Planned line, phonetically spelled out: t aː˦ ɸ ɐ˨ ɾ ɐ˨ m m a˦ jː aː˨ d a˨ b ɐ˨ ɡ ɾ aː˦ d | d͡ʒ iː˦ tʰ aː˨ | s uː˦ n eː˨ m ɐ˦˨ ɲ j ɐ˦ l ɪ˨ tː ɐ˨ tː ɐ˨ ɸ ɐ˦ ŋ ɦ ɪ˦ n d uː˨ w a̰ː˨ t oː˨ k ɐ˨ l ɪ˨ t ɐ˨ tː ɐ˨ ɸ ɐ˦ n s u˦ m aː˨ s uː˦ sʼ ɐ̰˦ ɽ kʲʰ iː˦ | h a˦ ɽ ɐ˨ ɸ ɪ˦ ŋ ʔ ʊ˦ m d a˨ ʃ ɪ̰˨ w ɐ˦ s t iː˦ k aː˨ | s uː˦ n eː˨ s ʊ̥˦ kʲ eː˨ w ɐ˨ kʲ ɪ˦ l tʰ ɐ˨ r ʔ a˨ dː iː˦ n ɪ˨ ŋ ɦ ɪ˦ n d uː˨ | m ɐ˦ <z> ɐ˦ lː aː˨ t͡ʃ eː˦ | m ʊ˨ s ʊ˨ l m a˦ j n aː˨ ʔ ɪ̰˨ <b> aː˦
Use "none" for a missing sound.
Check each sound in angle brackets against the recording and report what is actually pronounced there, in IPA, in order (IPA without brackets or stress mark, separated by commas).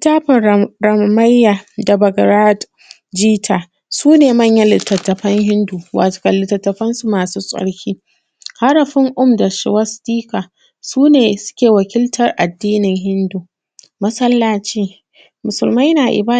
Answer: s, b